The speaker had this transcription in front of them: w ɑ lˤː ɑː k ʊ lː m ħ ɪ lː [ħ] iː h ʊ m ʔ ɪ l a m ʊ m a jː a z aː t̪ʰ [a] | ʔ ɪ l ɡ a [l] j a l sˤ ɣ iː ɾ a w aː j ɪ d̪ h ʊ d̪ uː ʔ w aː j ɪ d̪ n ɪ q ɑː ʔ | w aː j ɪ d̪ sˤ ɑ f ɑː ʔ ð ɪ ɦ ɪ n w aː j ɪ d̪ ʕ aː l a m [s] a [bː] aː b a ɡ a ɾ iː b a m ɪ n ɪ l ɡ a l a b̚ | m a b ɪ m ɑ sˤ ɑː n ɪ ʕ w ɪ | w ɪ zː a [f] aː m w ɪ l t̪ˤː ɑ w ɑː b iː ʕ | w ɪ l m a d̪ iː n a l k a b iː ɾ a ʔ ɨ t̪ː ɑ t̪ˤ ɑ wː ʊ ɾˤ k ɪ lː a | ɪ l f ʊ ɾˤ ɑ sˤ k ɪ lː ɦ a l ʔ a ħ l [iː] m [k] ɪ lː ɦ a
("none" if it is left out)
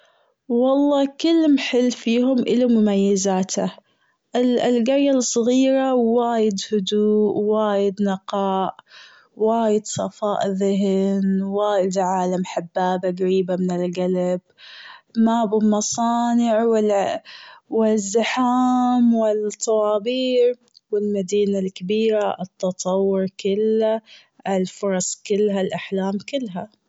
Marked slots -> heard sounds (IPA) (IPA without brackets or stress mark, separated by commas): f, a, ɾ, ħ, bː, ħ, aː, k